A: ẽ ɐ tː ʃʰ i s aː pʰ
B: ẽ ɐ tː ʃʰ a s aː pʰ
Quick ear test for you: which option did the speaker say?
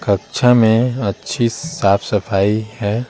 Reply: A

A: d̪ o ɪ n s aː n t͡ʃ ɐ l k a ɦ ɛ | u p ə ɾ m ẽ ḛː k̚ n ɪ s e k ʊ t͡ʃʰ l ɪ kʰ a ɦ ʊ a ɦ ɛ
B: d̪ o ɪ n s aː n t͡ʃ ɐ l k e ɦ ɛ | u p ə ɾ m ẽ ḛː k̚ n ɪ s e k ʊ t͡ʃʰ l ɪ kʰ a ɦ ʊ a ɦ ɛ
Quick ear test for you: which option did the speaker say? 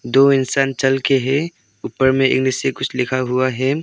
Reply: B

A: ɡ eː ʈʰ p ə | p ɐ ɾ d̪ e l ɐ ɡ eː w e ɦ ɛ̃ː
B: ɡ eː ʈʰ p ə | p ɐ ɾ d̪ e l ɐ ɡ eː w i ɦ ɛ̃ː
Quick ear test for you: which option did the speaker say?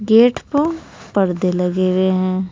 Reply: A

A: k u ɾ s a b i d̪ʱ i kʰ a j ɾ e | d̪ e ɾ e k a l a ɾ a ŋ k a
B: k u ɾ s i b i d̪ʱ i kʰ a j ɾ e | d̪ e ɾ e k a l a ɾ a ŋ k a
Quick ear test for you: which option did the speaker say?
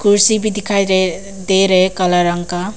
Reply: B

